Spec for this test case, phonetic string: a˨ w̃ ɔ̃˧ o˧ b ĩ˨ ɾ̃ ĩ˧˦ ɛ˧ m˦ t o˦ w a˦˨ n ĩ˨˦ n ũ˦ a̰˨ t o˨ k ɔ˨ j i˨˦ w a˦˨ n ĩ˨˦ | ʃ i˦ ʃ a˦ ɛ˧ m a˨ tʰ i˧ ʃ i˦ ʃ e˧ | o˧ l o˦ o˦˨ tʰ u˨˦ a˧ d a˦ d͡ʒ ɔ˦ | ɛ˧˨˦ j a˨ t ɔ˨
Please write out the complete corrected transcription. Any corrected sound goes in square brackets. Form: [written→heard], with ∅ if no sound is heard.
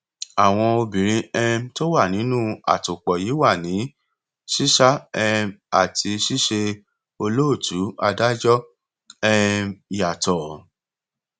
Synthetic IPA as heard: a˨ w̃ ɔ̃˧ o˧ b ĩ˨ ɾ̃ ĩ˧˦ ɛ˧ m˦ t o˦ w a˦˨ n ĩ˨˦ n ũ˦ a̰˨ t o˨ [k→k͡p] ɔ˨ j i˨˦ w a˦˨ n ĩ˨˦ | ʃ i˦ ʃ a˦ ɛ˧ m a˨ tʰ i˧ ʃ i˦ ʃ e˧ | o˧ l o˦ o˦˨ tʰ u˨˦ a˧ d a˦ d͡ʒ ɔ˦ | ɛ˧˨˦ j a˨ t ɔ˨